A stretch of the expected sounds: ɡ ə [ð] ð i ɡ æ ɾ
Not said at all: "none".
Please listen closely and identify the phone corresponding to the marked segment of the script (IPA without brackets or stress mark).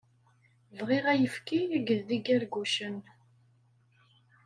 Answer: ð